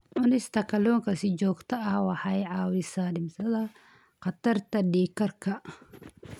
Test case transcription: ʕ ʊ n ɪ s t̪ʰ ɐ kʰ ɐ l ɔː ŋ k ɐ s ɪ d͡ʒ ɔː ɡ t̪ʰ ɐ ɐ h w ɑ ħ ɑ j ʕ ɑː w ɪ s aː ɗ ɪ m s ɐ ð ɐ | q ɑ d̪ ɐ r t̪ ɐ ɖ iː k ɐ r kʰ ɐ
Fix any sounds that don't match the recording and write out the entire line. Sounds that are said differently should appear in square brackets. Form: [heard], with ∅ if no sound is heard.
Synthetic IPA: ʕ ʊ n ɪ s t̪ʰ ɐ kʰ ɐ l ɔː ŋ k ɐ s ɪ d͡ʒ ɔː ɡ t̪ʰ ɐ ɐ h w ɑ ħ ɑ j ʕ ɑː w ɪ s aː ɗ ɪ m s ɐ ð ɐ | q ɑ [t̪] ɐ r t̪ ɐ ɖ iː k ɐ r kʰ ɐ